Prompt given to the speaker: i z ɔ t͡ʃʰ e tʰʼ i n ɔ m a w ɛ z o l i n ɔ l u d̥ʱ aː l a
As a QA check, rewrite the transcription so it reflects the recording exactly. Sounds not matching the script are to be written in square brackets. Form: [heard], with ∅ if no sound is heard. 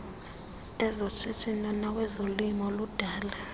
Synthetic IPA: [ɛ] z ɔ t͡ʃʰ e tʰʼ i n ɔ [n] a w ɛ z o l i [m] ɔ l u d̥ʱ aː l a

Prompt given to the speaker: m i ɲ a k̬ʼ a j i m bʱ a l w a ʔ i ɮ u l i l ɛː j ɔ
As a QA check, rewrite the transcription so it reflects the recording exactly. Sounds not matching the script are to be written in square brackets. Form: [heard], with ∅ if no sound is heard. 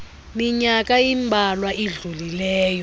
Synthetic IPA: m i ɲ a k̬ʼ a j i m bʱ a l w a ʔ i ɮ u l i l ɛː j ɔ

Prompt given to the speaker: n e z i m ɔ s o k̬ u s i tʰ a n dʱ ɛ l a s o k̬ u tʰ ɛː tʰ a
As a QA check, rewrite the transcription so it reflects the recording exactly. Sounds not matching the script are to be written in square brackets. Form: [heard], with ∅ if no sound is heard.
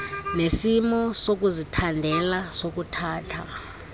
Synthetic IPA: n e [s] i m ɔ s o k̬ u [z] i tʰ a n dʱ ɛ l a s o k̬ u tʰ [aː] tʰ a

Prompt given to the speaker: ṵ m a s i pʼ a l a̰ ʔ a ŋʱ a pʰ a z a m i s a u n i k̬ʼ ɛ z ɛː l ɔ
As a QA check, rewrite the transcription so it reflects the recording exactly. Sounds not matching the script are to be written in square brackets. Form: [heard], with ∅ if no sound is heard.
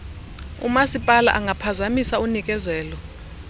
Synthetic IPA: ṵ m a s i pʼ a l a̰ ʔ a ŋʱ a pʰ a z a m i s a u n i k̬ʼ ɛ z ɛː l ɔ

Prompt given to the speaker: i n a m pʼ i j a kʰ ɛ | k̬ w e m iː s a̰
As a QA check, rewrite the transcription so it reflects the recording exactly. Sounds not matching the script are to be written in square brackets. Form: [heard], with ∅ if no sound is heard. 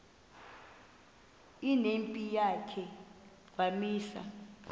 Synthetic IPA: i n [e] m pʼ i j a kʰ ɛ | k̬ w [a] m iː s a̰

